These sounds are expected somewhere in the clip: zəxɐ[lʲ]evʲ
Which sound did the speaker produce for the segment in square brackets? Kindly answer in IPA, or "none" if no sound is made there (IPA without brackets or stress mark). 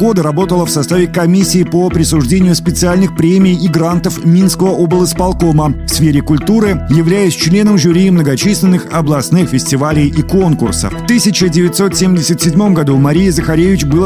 ɾʲ